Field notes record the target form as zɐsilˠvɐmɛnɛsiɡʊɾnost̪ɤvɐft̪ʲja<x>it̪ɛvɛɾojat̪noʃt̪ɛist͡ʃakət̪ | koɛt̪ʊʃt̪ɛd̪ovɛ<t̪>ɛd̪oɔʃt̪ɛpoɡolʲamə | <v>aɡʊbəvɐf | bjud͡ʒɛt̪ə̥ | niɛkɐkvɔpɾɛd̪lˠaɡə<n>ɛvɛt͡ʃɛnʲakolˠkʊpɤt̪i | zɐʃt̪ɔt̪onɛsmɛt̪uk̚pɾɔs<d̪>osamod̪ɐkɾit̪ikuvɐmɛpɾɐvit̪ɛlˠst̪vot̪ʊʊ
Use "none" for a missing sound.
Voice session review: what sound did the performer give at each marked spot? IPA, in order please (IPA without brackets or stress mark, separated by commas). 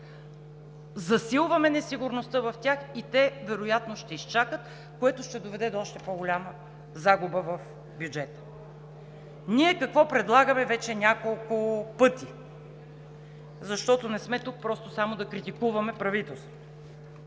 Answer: x, d̪, z, m, t̪